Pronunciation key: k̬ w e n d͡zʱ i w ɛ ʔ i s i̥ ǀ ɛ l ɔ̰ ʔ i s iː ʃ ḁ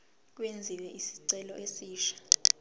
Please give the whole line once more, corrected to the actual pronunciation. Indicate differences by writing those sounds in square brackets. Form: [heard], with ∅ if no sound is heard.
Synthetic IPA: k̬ w e n d͡zʱ i w ɛ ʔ i s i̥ ǀ ɛ l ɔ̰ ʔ [e] s iː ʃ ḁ